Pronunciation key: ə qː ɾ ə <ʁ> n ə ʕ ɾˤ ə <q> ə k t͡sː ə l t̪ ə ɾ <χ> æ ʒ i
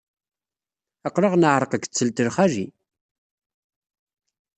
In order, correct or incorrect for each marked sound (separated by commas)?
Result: correct, correct, correct